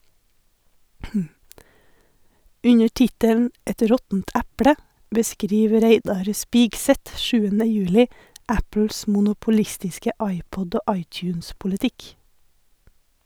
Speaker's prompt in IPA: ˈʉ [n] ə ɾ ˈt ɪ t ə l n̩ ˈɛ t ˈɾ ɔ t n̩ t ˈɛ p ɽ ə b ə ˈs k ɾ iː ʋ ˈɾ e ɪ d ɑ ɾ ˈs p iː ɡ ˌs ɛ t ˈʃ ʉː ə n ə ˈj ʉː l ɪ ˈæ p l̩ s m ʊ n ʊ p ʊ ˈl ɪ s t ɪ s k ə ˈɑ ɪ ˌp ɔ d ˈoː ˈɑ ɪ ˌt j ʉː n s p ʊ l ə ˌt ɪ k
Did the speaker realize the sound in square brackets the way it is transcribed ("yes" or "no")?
no